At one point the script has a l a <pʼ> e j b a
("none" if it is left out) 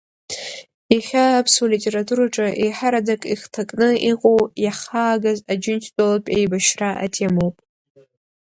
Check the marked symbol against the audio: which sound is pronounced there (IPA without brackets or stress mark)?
pʼ